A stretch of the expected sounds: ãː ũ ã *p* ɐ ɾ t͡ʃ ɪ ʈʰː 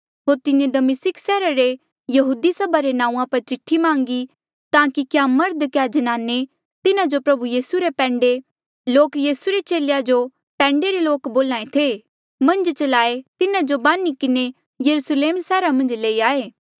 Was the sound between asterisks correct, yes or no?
yes